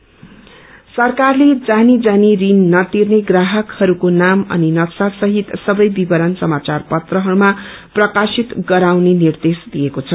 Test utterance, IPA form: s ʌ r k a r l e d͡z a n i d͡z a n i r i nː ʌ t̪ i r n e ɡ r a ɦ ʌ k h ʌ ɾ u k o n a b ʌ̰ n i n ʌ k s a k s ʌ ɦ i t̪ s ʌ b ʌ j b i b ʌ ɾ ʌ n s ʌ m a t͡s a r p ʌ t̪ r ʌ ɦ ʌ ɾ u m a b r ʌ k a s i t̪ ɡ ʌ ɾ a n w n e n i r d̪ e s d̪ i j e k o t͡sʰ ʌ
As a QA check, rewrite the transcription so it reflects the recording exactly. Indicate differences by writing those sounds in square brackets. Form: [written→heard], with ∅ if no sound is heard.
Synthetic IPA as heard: s ʌ r k a r l e d͡z a n i d͡z a n i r i nː ʌ t̪ i r n e ɡ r a ɦ ʌ k h ʌ ɾ u k o n a [b→m] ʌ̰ n i n ʌ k s a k s ʌ ɦ i t̪ s ʌ b ʌ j b i b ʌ ɾ ʌ n s ʌ m a t͡s a r p ʌ t̪ r ʌ ɦ ʌ ɾ u m a [b→p] r ʌ k a s i t̪ ɡ ʌ ɾ a [n→∅] w n e n i r d̪ e s d̪ i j e k o t͡sʰ ʌ